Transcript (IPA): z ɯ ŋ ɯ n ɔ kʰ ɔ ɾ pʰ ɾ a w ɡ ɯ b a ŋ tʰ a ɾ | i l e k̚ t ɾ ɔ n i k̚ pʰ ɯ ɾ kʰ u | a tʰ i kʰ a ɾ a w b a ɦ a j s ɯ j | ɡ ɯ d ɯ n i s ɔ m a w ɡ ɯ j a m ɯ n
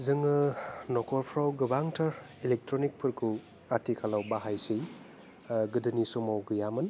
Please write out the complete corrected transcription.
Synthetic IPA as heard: z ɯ ŋ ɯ n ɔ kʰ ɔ ɾ pʰ ɾ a w ɡ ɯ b a ŋ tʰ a ɾ | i l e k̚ t ɾ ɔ n i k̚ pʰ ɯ ɾ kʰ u | a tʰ i kʰ a l a w b a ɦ a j s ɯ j | ɡ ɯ d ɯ n i s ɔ m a w ɡ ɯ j a m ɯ n

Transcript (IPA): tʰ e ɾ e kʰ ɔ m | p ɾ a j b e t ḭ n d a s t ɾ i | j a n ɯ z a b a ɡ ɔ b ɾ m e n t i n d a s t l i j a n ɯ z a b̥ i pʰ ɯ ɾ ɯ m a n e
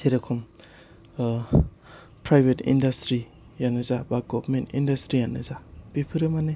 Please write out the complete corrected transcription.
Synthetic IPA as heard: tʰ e ɾ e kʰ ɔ m | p ɾ a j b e t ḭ n d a s t ɾ i | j a n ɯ z a b a ɡ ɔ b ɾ m e n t i n d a s t ɾ i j a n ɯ z a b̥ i pʰ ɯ ɾ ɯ m a n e

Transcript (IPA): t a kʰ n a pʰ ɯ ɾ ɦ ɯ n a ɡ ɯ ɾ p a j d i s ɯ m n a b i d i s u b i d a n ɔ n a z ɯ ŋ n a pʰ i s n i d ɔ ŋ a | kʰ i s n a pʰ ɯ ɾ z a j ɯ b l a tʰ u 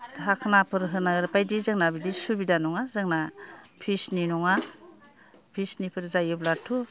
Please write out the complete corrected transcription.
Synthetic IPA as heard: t a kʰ n a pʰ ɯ ɾ ɦ ɯ n a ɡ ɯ ɾ p a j d i z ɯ ŋ n a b i d i s u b i d a n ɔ ŋ a z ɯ ŋ n a pʰ i s n i n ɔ ŋ a | pʰ i s n i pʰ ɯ ɾ z a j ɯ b l a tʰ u

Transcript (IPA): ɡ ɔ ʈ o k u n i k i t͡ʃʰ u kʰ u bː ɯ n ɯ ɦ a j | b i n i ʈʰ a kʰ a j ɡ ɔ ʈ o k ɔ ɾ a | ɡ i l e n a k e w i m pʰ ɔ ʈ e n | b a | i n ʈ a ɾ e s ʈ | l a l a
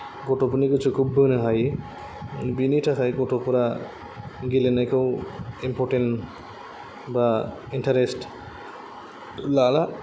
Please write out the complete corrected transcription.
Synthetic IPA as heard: ɡ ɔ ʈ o p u n i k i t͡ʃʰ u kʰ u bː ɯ n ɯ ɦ a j | b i n i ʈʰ a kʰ a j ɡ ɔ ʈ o p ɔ ɾ a | ɡ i l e n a k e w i m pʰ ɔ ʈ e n | b a | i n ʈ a ɾ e s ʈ | l a l a

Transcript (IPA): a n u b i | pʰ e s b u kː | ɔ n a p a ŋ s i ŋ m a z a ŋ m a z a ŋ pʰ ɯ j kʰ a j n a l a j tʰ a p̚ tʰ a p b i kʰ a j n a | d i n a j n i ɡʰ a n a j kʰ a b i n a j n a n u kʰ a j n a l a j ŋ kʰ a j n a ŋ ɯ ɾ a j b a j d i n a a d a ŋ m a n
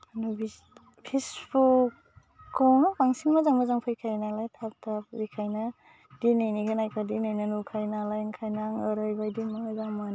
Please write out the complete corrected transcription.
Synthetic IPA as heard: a n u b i | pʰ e s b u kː | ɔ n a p a ŋ s i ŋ m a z a ŋ m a z a ŋ pʰ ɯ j kʰ a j n a l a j tʰ a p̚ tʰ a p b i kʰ a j n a | d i n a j n i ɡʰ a n a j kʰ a d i n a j n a n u kʰ a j n a l a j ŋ kʰ a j n a ŋ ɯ ɾ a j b a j d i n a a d a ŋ m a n

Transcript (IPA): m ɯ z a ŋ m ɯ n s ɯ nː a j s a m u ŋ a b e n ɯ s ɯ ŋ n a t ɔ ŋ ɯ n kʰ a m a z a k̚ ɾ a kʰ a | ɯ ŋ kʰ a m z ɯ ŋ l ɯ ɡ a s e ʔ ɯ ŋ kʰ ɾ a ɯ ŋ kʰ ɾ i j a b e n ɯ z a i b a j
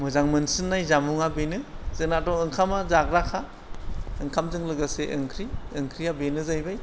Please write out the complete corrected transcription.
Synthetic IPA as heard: m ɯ z a ŋ m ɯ n s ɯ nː a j z a m u ŋ a b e n ɯ z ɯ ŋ n a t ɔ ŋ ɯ ŋ kʰ a m a z a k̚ ɾ a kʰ a | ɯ ŋ kʰ a m z ɯ ŋ l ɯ ɡ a s e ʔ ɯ ŋ kʰ ɾ i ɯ ŋ kʰ ɾ i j a b e n ɯ z a j b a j

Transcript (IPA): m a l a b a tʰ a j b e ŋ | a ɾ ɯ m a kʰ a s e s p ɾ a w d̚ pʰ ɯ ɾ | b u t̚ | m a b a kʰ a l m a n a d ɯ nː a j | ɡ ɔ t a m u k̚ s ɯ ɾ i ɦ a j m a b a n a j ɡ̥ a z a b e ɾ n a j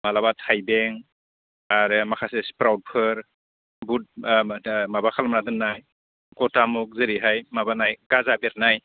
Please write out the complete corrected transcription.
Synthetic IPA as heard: m a l a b a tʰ a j b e ŋ | a ɾ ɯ m a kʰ a s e s p ɾ a w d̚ pʰ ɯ ɾ | b u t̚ | m a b a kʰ a l m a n a d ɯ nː a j | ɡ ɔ t a m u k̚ z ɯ ɾ i ɦ a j m a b a n a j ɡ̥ a z a b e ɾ n a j

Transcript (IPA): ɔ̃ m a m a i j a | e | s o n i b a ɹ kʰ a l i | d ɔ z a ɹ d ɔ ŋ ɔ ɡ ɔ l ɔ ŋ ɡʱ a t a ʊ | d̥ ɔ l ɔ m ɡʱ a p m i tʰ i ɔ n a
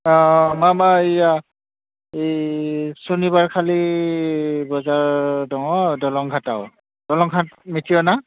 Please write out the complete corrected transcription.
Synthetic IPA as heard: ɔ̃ m a m a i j a | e | s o n i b a ɹ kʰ a l i | b ɔ z a ɹ d ɔ ŋ ɔ d ɔ l ɔ ŋ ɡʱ a t a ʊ | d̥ ɔ l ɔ ŋ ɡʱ a t m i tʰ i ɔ n a

